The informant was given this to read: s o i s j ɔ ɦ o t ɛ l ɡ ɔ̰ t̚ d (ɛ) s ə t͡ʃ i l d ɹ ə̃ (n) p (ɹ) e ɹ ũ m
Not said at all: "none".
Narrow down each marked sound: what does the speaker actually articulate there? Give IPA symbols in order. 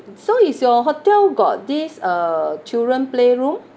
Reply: i, n, l

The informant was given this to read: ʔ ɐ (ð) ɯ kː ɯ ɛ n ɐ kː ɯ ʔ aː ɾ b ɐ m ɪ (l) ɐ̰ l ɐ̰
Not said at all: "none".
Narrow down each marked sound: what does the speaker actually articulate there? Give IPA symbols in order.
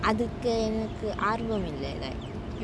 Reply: ð, lː

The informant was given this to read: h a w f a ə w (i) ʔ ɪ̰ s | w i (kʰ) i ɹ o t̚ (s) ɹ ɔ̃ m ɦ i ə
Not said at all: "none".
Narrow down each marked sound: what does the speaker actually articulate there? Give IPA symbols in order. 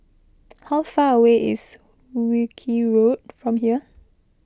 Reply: e, kʰ, f

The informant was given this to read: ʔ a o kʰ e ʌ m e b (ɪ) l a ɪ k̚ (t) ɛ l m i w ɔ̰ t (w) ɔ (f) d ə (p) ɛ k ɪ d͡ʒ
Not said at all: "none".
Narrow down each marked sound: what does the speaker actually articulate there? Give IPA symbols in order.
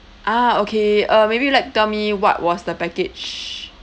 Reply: i, t, w, s, p

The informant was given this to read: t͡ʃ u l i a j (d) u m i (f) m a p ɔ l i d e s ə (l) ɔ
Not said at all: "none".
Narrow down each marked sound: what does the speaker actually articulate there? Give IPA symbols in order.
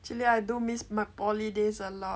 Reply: d, s, l

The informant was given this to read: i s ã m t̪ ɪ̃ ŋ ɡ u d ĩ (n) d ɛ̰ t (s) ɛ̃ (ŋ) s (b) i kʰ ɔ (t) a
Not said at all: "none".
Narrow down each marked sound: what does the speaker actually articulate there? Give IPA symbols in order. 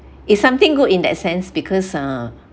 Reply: n, s, n, b, s

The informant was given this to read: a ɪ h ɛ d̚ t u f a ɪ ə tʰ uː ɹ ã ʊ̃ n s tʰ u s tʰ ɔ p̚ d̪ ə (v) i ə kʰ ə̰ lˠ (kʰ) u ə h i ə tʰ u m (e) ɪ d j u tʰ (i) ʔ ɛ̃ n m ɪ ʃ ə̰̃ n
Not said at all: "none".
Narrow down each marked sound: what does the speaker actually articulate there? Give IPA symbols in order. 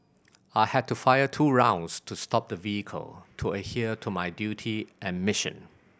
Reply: v, tʰ, a, i

